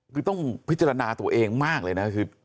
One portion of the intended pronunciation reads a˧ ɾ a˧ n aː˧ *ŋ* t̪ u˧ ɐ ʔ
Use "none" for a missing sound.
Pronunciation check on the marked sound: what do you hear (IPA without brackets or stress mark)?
none